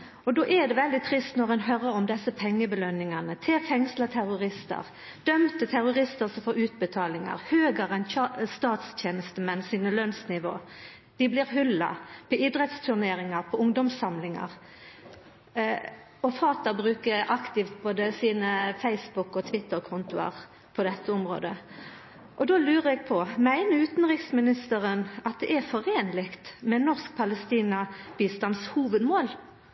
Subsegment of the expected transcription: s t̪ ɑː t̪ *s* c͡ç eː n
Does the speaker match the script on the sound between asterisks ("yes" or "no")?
yes